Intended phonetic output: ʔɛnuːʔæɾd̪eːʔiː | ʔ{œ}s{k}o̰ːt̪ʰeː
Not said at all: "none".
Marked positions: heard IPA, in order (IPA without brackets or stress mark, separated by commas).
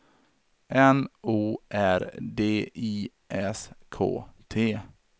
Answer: ɛ, kʰ